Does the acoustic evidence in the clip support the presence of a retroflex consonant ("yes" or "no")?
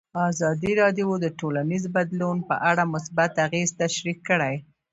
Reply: yes